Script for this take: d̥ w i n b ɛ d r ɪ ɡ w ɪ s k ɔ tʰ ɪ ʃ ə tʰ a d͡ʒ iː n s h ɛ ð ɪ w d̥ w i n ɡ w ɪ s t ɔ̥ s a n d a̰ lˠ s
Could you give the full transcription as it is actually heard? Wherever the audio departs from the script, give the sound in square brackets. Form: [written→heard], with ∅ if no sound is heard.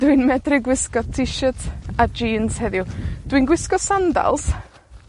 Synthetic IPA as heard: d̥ w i n [b→m] ɛ d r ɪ ɡ w ɪ s k ɔ tʰ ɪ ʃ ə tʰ a d͡ʒ iː n s h ɛ ð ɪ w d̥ w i n ɡ w ɪ s [t→k] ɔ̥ s a n d a̰ lˠ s